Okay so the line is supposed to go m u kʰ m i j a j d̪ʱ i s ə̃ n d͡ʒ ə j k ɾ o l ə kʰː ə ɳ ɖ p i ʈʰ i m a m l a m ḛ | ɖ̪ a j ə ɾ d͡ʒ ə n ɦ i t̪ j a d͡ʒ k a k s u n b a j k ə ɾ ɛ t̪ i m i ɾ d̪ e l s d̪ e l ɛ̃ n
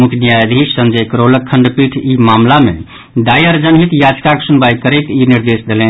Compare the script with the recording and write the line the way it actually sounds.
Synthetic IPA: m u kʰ n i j a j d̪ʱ i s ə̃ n d͡ʒ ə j k ɾ o l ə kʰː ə ɳ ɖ p i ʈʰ i m a m l a m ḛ | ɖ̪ a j ə ɾ d͡ʒ ə n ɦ i t̪ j a d͡ʒ k a k s u n b a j k ə ɾ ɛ t̪ i n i ɾ d̪ e s d̪ e l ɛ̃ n

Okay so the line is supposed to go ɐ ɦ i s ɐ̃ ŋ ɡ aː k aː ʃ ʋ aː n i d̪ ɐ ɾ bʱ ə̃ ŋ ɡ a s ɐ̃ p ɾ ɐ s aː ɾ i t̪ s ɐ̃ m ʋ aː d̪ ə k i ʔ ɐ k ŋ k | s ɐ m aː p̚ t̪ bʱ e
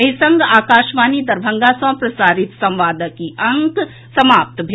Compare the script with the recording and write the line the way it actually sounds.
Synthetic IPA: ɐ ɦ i s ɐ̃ ŋ ɡ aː k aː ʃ ʋ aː n i d̪ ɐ ɾ bʱ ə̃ ŋ ɡ a s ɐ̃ p ɾ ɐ s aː ɾ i t̪ s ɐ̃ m ʋ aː d̪ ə k i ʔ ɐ ŋ k | s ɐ m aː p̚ t̪ bʱ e

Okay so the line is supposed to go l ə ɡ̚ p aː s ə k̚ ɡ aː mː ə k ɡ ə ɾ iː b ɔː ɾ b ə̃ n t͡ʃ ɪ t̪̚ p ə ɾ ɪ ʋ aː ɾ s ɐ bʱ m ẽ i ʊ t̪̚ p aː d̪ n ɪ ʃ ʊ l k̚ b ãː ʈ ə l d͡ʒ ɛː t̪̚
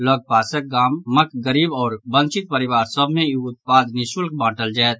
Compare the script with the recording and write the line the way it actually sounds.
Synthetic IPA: l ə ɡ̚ p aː s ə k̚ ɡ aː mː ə k ɡ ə ɾ iː b ɔː ɾ b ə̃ n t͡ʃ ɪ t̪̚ p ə ɾ ɪ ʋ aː ɾ s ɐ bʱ m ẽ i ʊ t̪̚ p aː d̪ n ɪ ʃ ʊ l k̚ b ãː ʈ ə l d͡ʒ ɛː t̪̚

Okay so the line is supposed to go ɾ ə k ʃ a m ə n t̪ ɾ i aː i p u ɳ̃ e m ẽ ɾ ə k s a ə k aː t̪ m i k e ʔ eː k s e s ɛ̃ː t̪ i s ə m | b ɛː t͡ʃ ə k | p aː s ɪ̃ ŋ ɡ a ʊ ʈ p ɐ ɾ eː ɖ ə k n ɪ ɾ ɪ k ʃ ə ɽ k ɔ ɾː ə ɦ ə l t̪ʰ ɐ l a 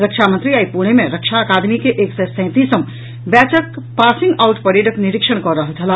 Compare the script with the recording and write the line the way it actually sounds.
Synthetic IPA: ɾ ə k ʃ a m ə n t̪ ɾ i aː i p u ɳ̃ e m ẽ ɾ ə k ʃ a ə k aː d̪ m i k e ʔ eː k s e s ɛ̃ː t̪ i s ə m | b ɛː t͡ʃ ə k | p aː s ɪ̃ ŋ ɡ a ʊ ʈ p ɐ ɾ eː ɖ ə k n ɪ ɾ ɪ k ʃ ə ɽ k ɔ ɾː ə ɦ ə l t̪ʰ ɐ l a

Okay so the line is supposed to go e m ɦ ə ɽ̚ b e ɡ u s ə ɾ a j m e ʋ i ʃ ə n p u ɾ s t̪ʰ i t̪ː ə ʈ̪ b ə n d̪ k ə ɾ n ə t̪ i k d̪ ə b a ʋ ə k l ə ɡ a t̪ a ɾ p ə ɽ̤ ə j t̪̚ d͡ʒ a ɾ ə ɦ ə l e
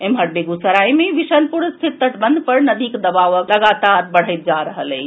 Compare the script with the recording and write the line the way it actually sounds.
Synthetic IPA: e m ɦ ə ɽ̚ b e ɡ u s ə ɾ a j m e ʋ i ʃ ə n p u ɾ s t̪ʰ i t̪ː ə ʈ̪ b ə n d̪ p ə ɾ n ə d̪ i k d̪ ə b a ʋ ə k l ə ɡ a t̪ a ɾ b ə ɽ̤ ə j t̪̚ d͡ʒ a ɾ ə ɦ ə l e

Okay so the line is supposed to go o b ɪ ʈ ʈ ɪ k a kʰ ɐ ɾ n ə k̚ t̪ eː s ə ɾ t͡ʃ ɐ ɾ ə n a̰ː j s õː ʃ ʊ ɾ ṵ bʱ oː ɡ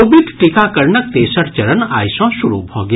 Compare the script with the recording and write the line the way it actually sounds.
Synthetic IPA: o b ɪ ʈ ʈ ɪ k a k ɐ ɾ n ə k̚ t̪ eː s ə ɾ t͡ʃ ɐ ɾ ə n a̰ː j s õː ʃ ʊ ɾ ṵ bʱ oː ɡ

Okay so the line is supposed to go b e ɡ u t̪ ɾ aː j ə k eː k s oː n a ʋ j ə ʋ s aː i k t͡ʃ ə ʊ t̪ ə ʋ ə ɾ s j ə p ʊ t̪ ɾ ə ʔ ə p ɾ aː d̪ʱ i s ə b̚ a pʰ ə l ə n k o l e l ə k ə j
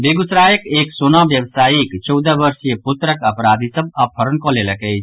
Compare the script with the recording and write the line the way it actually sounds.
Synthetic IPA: b e ɡ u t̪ ɾ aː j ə k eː k s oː n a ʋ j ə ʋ s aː i k t͡ʃ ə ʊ d̪ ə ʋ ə ɾ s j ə p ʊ t̪ ɾ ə k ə p ɾ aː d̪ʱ i s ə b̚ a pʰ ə ɾ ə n k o l e l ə k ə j

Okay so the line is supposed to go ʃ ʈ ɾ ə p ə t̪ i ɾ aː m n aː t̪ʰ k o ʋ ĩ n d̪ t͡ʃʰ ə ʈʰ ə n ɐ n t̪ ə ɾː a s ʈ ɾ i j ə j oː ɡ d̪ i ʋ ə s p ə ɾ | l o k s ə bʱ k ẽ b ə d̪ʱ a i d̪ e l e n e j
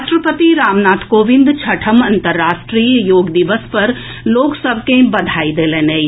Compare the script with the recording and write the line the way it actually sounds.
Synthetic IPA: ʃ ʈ ɾ ə p ə t̪ i ɾ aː m n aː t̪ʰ k o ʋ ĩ n d̪ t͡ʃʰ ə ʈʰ ə m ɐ n t̪ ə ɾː a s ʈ ɾ i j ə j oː ɡ d̪ i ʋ ə s p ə ɾ | l o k s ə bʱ k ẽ b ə d̪ʱ a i d̪ e l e n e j

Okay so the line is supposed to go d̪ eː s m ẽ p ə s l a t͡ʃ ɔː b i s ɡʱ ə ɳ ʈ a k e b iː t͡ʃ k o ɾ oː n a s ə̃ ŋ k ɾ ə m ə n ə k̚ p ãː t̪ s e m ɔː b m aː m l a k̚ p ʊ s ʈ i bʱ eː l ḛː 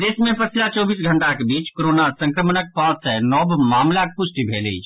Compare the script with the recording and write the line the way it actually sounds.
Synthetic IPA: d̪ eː s m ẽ p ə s l a t͡ʃ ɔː b iː s ɡʱ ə ɳ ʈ a k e b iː t͡ʃ k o ɾ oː n a s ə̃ ŋ k ɾ ə m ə n ə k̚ p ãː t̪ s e n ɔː b m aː m l a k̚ p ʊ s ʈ i bʱ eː l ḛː

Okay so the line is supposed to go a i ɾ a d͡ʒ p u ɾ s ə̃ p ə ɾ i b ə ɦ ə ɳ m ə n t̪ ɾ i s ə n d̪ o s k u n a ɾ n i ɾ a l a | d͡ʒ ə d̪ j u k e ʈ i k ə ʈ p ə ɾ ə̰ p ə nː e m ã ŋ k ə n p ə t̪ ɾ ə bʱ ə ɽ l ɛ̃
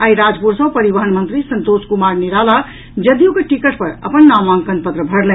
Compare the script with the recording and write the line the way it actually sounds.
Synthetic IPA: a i ɾ a d͡ʒ p u ɾ s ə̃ p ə ɾ i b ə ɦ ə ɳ m ə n t̪ ɾ i s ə n t̪ o s k u m a ɾ n i ɾ a l a | d͡ʒ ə d̪ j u k e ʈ i k ə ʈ p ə ɾ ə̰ p ə nː a m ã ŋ k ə n p ə t̪ ɾ ə bʱ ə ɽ l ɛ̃

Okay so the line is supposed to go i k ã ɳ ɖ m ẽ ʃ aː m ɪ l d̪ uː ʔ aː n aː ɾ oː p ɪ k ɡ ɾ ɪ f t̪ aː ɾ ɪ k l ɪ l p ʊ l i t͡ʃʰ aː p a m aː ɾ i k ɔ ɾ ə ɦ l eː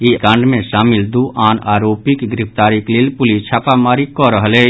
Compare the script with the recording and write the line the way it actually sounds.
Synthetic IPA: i k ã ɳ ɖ m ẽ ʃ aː m ɪ l d̪ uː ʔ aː n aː ɾ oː p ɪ k ɡ ɾ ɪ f t̪ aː ɾ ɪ k l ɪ l p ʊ l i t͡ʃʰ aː p a m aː ɾ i k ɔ ɾ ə ɦ l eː

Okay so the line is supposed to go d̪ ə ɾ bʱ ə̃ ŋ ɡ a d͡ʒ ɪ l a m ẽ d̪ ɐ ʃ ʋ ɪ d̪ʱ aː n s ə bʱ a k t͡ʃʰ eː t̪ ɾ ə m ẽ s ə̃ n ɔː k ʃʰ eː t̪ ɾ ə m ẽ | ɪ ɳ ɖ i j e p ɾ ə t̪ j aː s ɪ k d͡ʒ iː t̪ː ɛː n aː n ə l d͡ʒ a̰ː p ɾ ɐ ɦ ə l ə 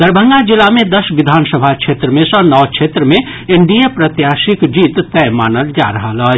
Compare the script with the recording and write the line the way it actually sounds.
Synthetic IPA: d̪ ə ɾ bʱ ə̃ ŋ ɡ a d͡ʒ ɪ l a m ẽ d̪ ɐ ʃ ʋ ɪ d̪ʱ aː n s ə bʱ a k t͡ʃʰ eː t̪ ɾ ə m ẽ s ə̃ n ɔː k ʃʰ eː t̪ ɾ ə m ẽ | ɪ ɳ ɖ i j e p ɾ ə t̪ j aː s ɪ k d͡ʒ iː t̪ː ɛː m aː n ə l d͡ʒ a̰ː ɾ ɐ ɦ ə l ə

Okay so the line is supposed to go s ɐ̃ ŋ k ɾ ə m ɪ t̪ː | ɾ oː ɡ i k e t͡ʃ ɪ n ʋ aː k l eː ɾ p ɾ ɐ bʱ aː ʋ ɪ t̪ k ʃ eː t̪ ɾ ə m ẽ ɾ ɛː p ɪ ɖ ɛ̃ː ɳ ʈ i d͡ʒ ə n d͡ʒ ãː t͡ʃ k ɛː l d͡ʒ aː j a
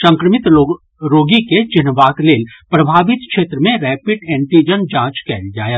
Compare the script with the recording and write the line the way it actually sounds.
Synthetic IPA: s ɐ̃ ŋ k ɾ ə m ɪ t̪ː | ɾ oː ɡ i k e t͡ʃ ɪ n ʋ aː k l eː l p ɾ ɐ bʱ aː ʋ ɪ t̪ k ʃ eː t̪ ɾ ə m ẽ ɾ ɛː p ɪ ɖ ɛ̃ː ɳ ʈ i d͡ʒ ə n d͡ʒ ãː t͡ʃ k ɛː l d͡ʒ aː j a

